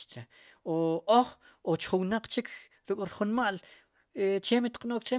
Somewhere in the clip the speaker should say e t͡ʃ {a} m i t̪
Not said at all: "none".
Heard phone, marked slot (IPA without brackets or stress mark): e